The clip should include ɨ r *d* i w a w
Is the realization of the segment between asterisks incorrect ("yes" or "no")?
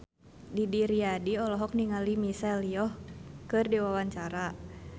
no